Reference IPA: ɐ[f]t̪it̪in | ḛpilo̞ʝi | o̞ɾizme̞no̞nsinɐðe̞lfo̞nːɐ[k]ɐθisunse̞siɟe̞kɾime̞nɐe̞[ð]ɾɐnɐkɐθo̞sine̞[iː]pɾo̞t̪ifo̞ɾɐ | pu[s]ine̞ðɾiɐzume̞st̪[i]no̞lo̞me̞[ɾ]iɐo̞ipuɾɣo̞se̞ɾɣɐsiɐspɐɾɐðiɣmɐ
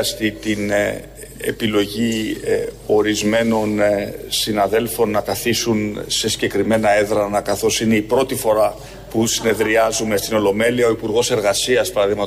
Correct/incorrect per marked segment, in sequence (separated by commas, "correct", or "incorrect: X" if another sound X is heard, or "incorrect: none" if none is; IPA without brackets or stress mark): incorrect: s, correct, correct, incorrect: i, correct, correct, incorrect: l